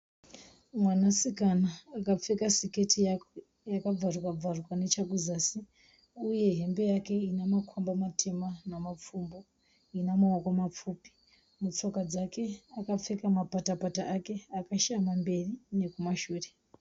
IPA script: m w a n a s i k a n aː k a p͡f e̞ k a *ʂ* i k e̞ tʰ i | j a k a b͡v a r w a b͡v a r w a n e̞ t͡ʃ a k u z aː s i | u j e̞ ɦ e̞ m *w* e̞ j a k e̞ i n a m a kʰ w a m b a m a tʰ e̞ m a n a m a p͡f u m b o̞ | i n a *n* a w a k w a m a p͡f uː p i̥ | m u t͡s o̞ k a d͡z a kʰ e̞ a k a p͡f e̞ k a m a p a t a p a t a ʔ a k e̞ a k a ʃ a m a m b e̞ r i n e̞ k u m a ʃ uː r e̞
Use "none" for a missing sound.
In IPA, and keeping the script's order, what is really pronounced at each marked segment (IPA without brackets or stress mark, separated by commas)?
s, b, m